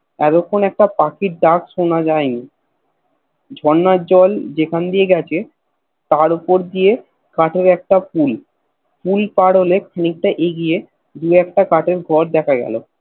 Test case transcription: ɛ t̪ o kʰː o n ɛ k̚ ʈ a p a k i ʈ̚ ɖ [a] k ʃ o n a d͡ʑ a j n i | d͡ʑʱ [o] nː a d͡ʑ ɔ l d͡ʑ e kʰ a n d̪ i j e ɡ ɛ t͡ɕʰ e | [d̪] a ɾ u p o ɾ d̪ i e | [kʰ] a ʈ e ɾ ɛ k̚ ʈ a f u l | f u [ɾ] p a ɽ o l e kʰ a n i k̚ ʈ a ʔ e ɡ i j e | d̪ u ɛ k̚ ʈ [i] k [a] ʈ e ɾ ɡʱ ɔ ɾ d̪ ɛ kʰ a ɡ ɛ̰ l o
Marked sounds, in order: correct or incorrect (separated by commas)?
correct, incorrect, incorrect, incorrect, incorrect, incorrect, correct